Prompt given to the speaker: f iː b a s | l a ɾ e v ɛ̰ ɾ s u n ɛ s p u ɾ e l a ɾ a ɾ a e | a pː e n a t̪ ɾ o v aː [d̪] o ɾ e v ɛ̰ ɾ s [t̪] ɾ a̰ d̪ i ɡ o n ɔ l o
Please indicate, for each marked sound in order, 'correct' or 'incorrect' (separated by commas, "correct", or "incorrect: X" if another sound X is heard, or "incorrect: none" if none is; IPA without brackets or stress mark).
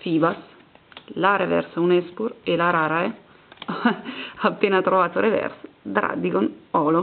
incorrect: t̪, incorrect: d̪